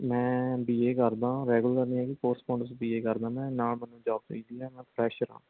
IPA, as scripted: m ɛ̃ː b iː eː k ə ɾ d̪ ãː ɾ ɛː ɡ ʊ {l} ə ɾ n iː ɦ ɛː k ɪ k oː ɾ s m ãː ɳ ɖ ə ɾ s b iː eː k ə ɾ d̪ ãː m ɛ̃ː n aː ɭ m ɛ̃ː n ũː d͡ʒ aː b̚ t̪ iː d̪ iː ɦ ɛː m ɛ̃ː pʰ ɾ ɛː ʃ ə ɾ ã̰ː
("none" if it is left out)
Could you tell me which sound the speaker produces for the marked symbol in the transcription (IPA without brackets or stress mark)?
l